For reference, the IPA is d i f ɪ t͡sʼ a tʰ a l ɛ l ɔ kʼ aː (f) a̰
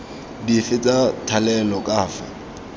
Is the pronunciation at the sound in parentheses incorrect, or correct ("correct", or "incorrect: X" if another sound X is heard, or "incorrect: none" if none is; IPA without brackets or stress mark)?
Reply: correct